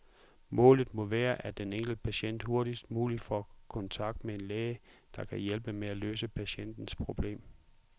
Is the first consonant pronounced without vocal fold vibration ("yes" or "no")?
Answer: no